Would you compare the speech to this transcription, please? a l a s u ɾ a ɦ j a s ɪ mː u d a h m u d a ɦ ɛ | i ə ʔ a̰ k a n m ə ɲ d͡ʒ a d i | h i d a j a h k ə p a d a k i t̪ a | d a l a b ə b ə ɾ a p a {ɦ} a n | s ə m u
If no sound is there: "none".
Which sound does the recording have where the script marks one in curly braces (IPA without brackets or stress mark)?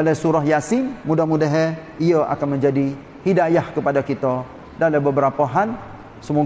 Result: ɦ